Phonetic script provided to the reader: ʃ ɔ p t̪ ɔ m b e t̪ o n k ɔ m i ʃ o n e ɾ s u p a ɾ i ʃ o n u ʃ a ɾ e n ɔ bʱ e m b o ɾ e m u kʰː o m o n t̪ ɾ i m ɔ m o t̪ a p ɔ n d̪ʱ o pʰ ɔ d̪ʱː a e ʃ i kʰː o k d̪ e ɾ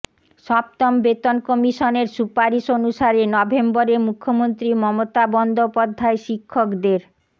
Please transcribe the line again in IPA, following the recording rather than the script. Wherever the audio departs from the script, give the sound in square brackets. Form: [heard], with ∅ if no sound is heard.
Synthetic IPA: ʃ ɔ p t̪ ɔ m b e t̪ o n k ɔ m i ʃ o n e ɾ s u p a ɾ i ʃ o n u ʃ a ɾ e n ɔ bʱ e m b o ɾ e m u kʰː o m o n t̪ ɾ i m ɔ m o t̪ a [b] ɔ n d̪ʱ o [p] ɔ d̪ʱː a e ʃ i kʰː o k d̪ e ɾ